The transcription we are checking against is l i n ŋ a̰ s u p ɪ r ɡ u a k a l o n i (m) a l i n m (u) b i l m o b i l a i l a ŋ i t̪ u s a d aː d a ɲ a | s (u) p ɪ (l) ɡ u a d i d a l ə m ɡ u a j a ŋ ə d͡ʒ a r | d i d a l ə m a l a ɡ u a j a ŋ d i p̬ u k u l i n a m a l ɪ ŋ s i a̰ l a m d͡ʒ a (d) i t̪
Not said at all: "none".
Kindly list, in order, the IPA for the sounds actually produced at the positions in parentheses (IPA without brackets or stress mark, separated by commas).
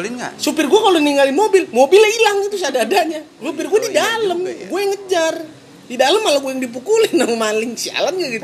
ŋ, o, u, r, ɡ